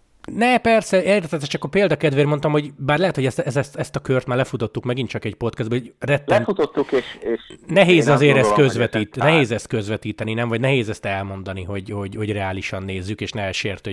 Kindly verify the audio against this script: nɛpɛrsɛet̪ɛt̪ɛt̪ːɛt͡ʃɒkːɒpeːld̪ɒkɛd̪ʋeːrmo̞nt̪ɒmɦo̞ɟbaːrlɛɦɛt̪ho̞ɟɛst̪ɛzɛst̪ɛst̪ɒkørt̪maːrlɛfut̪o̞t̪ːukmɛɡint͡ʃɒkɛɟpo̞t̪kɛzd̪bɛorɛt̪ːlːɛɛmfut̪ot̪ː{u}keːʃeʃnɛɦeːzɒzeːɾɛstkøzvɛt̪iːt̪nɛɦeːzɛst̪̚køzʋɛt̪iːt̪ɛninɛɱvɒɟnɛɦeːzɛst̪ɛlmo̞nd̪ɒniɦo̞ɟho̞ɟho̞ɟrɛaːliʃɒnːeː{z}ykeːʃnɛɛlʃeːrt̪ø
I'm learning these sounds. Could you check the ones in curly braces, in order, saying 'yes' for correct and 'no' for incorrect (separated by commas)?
yes, no